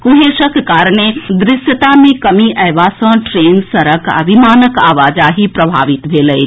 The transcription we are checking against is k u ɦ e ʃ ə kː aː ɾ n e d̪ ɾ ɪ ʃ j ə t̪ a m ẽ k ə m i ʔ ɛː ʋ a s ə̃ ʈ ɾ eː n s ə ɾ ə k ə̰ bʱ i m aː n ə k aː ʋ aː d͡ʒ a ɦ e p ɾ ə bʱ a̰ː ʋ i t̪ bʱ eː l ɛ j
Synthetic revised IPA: k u ɦ e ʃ ə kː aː ɾ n e d̪ ɾ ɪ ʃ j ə t̪ a m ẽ k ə m i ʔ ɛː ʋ a s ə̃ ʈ ɾ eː n s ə ɾ ə k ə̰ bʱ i m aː n ə k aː ʋ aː d͡ʒ a ɦ i p ɾ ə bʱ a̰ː ʋ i t̪ bʱ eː l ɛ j